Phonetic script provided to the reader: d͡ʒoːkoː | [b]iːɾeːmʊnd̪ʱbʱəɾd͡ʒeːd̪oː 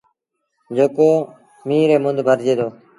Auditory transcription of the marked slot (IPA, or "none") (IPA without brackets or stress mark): m